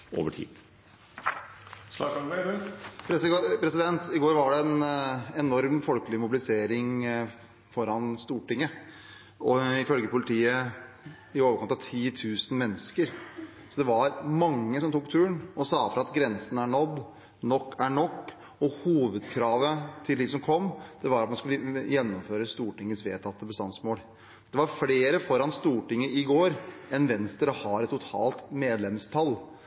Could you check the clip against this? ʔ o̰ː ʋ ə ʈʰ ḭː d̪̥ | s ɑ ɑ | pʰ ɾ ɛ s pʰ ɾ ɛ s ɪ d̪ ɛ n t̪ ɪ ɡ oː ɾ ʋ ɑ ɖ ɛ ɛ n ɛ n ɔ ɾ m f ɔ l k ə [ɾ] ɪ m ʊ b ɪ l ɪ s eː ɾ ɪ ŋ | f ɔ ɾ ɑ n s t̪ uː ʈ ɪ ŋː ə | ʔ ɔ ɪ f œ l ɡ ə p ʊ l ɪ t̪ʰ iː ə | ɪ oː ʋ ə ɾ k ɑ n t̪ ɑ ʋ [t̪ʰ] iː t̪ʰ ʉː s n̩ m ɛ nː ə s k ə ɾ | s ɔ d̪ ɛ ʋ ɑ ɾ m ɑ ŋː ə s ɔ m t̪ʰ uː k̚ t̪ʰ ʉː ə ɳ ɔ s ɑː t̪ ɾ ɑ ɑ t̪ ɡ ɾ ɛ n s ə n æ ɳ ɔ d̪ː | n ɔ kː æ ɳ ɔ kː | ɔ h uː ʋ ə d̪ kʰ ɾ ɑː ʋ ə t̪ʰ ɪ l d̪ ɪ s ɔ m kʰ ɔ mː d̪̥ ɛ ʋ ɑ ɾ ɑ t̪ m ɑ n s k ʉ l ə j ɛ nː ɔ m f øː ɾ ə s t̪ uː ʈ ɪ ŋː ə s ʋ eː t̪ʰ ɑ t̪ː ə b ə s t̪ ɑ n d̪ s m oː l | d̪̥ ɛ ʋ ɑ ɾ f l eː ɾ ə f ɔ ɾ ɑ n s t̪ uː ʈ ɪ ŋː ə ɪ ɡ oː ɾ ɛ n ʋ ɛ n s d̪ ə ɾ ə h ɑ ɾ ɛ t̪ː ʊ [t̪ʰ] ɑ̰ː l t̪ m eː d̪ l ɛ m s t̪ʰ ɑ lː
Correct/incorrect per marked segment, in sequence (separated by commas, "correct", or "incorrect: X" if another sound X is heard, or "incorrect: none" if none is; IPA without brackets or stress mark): incorrect: l, correct, correct